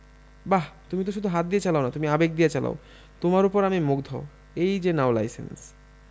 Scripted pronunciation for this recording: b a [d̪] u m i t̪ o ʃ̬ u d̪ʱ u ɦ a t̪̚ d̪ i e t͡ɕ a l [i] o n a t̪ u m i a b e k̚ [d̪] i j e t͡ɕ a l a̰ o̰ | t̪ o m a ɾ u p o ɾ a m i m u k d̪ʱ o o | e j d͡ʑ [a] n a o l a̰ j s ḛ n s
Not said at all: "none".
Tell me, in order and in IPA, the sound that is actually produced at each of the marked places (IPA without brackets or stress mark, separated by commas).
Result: t̪, a, d̪, e